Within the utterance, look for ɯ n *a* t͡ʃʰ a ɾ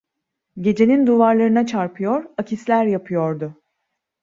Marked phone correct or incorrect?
correct